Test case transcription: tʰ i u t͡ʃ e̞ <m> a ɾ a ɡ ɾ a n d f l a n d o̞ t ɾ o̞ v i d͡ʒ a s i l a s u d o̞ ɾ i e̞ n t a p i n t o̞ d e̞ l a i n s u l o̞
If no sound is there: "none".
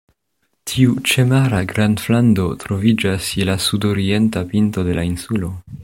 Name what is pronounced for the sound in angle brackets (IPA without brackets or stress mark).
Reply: m